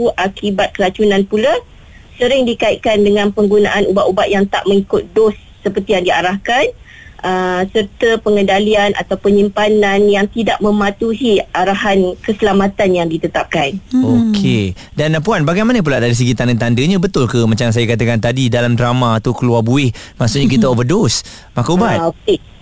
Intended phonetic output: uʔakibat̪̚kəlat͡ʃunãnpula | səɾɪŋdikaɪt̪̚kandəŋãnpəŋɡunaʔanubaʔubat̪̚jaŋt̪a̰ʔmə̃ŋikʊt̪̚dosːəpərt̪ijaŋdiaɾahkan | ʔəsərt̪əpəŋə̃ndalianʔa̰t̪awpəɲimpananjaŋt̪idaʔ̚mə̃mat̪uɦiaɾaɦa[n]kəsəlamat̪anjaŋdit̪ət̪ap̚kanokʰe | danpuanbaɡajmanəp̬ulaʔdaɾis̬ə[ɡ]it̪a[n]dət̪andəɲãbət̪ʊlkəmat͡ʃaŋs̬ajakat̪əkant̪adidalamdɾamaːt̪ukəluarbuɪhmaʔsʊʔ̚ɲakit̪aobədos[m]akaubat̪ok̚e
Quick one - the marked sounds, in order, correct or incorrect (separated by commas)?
correct, correct, correct, correct